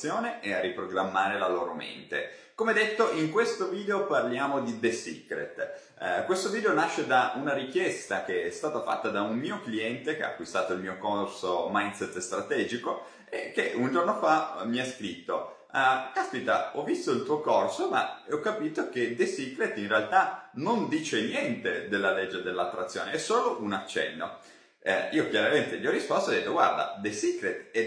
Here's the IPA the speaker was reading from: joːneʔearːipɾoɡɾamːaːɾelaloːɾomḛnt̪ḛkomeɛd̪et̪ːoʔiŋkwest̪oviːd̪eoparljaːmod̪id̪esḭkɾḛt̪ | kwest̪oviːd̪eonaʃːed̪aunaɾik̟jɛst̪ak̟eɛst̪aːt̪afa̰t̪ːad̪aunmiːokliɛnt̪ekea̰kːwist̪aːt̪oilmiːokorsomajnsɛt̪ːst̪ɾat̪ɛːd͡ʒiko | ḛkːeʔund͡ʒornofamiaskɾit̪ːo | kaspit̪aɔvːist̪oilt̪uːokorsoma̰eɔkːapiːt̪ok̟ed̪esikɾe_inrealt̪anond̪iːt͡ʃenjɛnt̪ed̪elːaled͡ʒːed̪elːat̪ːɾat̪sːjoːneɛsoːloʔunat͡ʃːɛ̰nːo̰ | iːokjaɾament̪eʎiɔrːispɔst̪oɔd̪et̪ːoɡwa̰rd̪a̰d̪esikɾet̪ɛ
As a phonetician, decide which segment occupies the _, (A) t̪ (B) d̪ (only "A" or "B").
A